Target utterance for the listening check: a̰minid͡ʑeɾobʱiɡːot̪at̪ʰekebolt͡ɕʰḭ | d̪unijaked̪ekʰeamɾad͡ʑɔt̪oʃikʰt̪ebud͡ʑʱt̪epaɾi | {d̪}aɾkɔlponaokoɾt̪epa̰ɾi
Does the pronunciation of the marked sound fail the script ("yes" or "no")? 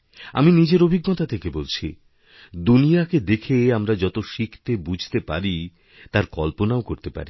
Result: yes